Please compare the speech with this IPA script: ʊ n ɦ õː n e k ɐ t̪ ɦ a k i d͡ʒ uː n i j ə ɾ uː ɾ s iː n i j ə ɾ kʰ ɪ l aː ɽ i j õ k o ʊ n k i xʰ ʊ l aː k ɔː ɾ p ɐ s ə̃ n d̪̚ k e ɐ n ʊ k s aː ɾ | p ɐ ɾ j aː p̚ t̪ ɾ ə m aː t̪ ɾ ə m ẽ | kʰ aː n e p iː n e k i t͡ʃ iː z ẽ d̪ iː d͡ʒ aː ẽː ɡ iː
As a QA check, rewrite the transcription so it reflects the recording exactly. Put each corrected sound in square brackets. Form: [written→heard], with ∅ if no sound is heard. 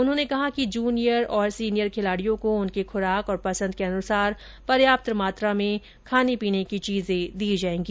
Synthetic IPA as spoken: ʊ n ɦ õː n e k ɐ [t̪→∅] ɦ a k i d͡ʒ uː n i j ə ɾ [uː→ɔː] ɾ s iː n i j ə ɾ kʰ ɪ l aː ɽ i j õ k o ʊ n k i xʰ ʊ [l→ɾ] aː k ɔː ɾ p ɐ s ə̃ n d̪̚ k e ɐ n ʊ [k→∅] s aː ɾ | p ɐ ɾ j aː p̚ t̪ ɾ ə m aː t̪ ɾ [ə→a] m ẽ | kʰ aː n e p iː n e k i t͡ʃ iː z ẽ d̪ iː d͡ʒ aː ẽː ɡ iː

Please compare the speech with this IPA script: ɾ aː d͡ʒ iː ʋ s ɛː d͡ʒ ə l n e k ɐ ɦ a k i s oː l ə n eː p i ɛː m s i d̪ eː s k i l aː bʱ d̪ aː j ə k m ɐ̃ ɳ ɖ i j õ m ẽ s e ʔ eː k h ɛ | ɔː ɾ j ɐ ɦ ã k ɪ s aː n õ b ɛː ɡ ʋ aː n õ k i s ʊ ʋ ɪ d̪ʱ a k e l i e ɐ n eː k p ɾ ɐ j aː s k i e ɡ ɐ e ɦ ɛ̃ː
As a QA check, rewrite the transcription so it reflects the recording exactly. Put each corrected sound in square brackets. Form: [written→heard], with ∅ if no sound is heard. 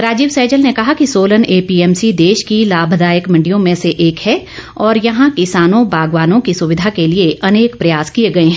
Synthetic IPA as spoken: ɾ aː d͡ʒ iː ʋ s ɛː d͡ʒ ə l n e k ɐ ɦ a k i s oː l ə n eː p i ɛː m s i d̪ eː [s→ʃ] k i l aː bʱ d̪ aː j ə k m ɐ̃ ɳ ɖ i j õ m ẽ s e ʔ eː k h ɛ | ɔː ɾ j ɐ ɦ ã k ɪ s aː n õ b [ɛː→aː] ɡ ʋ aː n õ k i s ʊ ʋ ɪ d̪ʱ a k e l i e ɐ n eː k p ɾ ɐ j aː s k i e ɡ ɐ e ɦ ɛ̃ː

